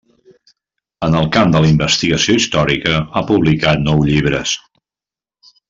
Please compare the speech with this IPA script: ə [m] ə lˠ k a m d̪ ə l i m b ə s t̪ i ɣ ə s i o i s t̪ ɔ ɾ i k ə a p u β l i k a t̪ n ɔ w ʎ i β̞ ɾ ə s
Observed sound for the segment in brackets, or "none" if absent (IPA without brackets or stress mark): n